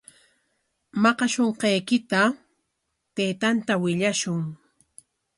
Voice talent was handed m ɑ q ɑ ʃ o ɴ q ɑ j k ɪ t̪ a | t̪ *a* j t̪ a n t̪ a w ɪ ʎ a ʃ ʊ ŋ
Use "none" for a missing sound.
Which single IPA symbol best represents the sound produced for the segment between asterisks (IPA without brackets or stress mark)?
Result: e